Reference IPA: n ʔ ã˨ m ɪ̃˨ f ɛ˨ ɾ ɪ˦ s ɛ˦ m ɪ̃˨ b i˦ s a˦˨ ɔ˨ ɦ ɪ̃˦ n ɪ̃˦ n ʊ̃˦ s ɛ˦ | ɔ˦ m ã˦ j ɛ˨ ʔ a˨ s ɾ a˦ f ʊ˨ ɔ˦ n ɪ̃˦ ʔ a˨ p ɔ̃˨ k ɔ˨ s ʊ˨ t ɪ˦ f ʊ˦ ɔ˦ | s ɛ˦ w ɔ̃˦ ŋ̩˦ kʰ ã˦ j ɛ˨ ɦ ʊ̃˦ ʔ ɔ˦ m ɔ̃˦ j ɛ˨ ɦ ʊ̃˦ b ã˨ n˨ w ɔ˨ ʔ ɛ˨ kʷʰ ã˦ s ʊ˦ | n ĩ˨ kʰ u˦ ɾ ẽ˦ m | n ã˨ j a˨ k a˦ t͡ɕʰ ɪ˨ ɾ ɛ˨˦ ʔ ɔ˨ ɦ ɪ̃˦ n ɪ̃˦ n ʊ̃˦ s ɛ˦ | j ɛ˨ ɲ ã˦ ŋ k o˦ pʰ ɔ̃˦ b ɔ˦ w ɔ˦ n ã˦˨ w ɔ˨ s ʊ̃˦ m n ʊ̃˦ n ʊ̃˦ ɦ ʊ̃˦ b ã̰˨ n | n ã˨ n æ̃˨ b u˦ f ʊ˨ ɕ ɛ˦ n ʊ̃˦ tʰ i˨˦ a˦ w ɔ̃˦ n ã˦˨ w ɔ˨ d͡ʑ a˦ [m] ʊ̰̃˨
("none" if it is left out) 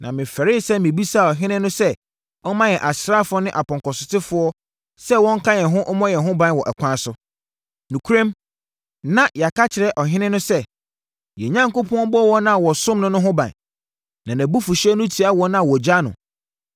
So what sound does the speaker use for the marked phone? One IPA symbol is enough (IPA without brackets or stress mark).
n